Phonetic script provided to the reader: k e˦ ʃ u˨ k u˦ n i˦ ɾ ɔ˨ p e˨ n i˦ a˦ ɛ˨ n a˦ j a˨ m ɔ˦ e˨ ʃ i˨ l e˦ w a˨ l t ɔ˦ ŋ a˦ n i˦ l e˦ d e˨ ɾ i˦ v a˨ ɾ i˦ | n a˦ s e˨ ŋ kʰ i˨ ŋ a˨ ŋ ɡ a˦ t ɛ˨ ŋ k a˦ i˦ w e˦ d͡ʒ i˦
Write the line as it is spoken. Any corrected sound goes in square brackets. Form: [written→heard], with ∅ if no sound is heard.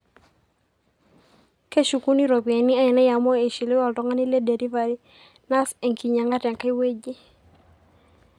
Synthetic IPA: k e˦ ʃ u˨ k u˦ n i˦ ɾ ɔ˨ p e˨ n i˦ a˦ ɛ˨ n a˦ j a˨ m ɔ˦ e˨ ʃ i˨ l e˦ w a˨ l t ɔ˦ ŋ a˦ n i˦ l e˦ d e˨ ɾ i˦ v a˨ ɾ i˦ | n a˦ s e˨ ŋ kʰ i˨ [ŋ→ɲ] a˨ ŋ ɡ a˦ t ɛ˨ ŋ k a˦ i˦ w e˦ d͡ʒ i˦